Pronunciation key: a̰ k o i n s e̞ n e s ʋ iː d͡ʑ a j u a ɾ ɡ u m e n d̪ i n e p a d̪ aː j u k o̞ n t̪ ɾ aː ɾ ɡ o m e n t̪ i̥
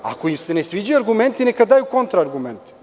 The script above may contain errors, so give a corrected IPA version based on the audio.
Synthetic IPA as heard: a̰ k o i m s e̞ n e s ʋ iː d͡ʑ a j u a ɾ ɡ u m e n t̪ i n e k a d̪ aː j u k o̞ n t̪ ɾ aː ɾ ɡ u m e n t̪ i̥